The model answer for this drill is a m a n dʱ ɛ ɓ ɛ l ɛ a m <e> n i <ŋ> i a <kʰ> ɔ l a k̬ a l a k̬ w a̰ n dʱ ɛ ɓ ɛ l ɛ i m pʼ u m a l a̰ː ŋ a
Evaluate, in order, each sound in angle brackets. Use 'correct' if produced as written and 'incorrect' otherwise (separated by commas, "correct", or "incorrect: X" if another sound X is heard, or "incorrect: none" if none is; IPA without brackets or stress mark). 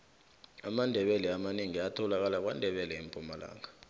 incorrect: a, correct, incorrect: tʰ